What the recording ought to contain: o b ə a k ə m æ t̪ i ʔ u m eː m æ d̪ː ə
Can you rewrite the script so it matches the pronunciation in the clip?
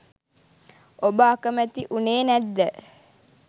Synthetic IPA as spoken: o b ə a k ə m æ t̪ i ʔ u n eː n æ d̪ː ə